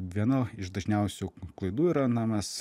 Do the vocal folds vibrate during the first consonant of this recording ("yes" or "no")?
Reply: yes